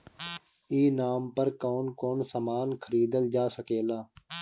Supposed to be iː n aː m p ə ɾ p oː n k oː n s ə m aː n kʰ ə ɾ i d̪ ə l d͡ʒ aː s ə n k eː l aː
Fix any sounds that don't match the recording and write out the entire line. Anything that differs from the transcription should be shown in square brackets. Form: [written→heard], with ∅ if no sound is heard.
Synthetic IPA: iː n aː m p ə ɾ [p→k] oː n k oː n s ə m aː n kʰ ə ɾ [i→iː] d̪ ə l d͡ʒ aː s ə [n→∅] k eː l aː